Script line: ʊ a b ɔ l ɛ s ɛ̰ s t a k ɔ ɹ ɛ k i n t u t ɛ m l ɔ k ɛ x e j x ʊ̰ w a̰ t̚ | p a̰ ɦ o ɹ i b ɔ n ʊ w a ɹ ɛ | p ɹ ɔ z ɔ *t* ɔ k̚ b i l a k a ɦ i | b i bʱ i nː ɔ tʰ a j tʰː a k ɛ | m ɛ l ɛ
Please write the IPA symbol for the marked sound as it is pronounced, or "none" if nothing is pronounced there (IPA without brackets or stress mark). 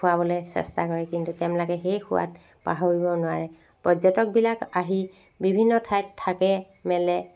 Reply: t